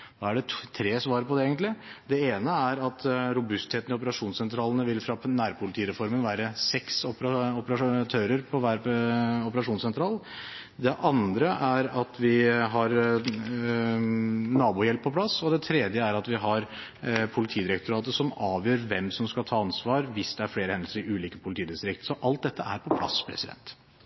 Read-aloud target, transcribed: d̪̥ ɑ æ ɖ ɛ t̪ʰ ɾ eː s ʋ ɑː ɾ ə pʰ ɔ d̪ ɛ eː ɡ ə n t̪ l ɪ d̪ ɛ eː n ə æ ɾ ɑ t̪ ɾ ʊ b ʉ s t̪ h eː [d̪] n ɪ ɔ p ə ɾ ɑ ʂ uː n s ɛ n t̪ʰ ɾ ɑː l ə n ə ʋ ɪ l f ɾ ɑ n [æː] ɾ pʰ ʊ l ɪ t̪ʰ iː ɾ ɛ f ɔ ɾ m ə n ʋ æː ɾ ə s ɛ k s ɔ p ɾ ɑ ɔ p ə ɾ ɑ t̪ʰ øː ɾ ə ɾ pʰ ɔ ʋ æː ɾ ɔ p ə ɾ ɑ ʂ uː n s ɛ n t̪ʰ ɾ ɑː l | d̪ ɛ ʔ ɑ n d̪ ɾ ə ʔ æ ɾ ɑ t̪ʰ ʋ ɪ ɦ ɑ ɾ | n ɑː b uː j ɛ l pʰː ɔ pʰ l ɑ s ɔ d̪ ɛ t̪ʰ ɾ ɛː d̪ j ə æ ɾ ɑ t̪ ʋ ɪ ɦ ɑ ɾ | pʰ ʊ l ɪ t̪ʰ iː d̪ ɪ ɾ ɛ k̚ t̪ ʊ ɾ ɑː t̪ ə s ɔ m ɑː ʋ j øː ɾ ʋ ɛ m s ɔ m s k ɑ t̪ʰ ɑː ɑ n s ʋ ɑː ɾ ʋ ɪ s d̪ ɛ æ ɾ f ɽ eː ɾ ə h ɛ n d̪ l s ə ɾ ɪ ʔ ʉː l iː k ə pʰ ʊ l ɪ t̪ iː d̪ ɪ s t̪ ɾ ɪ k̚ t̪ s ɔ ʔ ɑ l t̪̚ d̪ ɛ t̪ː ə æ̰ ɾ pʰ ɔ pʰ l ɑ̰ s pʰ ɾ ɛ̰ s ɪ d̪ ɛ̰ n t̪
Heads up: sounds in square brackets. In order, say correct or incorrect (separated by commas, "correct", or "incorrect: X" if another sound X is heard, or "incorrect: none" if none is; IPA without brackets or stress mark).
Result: incorrect: t̪, correct